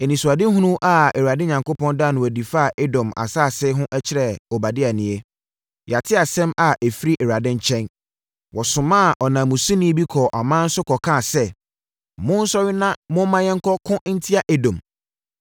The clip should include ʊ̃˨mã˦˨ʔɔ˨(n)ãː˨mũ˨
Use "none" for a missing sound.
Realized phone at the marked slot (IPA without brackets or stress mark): n